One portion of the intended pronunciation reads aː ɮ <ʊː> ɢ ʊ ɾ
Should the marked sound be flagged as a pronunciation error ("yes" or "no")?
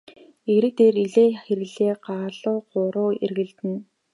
no